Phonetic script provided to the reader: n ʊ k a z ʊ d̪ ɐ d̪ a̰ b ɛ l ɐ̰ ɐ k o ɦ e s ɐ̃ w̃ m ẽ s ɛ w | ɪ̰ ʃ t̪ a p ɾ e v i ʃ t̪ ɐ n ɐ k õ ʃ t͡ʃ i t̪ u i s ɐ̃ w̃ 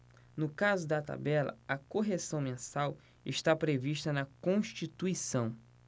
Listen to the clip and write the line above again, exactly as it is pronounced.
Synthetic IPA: n ʊ k a z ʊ d̪ ɐ t̪ a̰ b ɛ l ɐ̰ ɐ k o ɦ e s ɐ̃ w̃ m ẽ s a w | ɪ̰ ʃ t̪ a p ɾ e v i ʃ t̪ ɐ n ɐ k õ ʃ t͡ʃ i t̪ u i s ɐ̃ w̃